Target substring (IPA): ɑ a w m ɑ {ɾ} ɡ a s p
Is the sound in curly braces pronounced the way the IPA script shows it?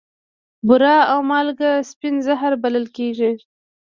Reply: no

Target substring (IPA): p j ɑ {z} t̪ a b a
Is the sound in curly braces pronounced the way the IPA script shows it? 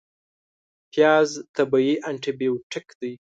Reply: yes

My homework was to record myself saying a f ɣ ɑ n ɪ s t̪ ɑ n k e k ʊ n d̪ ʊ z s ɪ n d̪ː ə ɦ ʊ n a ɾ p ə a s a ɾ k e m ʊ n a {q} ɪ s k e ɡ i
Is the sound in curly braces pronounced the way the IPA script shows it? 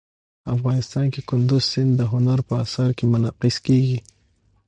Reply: yes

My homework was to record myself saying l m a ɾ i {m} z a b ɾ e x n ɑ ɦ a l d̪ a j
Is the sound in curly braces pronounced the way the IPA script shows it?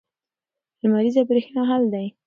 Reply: no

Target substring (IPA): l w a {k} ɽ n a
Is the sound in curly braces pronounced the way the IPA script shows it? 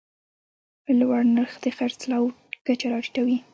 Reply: no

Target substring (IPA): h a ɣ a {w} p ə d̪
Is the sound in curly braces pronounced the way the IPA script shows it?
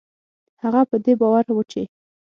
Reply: no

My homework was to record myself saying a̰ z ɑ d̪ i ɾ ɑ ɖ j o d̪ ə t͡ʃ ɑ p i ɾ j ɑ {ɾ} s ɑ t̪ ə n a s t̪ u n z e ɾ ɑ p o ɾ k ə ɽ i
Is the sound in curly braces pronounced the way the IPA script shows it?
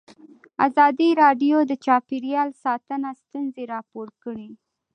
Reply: no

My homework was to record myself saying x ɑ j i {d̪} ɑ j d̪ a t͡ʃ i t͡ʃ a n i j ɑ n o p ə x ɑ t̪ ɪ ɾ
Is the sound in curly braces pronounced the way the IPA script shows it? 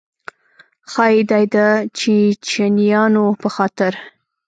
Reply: yes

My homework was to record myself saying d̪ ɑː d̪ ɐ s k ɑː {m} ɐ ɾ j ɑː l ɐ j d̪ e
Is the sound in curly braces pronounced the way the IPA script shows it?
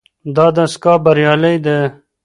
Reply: no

